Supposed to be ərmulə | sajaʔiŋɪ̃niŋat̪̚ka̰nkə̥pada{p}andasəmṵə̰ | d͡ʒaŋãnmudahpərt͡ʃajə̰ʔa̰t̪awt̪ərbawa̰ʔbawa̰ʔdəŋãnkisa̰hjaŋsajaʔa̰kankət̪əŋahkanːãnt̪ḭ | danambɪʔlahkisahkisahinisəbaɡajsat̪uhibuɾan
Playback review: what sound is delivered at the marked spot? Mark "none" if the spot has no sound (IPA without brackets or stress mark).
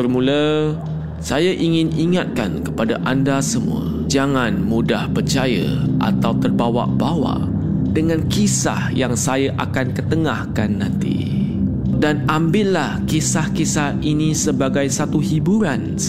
ʔ